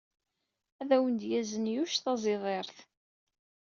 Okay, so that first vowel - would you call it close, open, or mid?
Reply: open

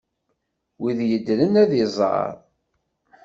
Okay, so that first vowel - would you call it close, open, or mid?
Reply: close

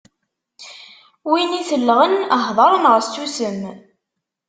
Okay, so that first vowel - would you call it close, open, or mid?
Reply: close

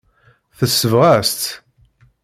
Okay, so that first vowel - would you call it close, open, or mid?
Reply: mid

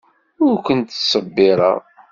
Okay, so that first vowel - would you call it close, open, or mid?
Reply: close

